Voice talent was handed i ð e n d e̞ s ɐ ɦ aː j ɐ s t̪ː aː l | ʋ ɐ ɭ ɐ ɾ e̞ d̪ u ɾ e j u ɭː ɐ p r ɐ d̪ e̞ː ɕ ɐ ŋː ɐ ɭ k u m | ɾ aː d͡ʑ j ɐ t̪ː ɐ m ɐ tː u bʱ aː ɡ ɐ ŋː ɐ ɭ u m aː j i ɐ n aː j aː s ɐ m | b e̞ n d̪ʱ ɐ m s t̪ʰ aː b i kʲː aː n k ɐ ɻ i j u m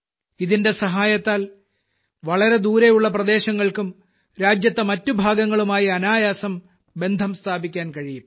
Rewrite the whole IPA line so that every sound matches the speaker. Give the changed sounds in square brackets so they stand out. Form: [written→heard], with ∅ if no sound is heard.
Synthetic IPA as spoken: i ð [e→i] n d e̞ s ɐ ɦ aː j ɐ [s→∅] t̪ː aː l | ʋ ɐ ɭ ɐ ɾ e̞ d̪ [u→uː] ɾ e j u ɭː ɐ p r ɐ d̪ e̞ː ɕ ɐ ŋː ɐ ɭ k u m | ɾ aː d͡ʑ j ɐ t̪ː ɐ m ɐ tː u bʱ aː ɡ ɐ ŋː ɐ ɭ u m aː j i ɐ n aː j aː s ɐ m | b e̞ n d̪ʱ ɐ m s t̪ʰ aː b i kʲː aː n k ɐ ɻ i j u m